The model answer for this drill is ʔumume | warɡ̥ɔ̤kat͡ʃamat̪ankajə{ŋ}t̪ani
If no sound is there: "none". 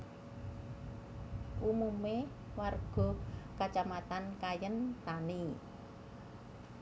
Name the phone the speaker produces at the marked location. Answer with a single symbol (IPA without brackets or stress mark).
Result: n